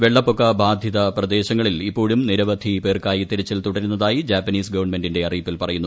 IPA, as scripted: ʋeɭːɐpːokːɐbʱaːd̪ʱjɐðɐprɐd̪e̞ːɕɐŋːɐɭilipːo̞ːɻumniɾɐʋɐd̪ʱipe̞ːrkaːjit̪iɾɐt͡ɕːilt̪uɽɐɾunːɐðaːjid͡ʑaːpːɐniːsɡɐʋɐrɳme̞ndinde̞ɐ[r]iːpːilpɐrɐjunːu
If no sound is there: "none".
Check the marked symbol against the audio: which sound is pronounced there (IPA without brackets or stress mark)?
r